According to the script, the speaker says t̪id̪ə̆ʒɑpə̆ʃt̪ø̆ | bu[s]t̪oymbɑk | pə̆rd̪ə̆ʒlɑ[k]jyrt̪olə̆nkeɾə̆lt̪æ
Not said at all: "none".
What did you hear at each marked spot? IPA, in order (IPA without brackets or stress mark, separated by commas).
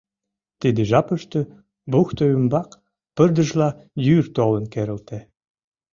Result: x, none